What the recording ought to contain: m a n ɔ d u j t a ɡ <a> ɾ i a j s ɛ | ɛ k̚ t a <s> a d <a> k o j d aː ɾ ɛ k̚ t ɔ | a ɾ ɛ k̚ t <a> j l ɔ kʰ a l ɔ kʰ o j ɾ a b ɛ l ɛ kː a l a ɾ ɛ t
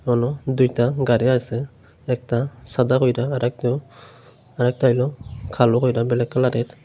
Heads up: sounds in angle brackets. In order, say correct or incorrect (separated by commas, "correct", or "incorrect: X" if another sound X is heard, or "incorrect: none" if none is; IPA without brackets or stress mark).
correct, correct, correct, correct